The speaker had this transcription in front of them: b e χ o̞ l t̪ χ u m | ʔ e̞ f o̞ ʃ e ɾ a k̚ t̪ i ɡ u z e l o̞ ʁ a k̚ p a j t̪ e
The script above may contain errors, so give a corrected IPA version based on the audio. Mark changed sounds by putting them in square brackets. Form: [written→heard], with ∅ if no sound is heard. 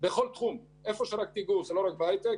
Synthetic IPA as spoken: b e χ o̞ l t̪ χ u m | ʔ e̞ f o̞ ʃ e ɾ a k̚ t̪ i ɡ u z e l o̞ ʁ a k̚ [p→b] a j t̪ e